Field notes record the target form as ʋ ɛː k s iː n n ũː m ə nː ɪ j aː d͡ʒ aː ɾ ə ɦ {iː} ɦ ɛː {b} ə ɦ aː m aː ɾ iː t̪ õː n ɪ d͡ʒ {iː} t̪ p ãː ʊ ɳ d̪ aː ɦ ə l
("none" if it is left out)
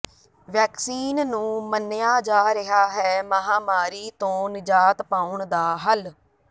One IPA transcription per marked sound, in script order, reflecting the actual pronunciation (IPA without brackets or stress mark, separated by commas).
aː, m, aː